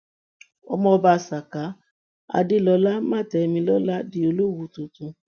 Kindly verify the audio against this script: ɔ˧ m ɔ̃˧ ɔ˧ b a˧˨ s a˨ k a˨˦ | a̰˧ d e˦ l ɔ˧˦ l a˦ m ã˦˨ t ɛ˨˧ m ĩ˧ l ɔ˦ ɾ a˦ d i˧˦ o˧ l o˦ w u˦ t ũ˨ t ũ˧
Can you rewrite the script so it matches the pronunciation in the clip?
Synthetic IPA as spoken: ɔ˧ m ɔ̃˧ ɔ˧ b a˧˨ s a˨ k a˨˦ | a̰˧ d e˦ l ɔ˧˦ l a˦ m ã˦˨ t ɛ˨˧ m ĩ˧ l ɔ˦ l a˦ d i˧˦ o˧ l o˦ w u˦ t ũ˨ t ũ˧